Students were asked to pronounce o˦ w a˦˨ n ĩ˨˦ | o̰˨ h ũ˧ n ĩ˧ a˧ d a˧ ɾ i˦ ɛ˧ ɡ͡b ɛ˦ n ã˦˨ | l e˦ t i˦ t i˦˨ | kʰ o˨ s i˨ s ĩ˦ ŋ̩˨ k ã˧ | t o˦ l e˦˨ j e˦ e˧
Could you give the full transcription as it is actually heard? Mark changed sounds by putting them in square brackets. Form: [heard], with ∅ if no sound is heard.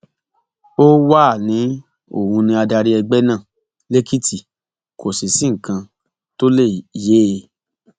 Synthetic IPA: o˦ w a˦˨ n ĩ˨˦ | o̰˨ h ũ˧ n ĩ˧ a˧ d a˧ ɾ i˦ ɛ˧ ɡ͡b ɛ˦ n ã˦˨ | l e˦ [k] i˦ t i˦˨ | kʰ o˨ s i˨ s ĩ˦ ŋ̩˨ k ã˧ | t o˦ l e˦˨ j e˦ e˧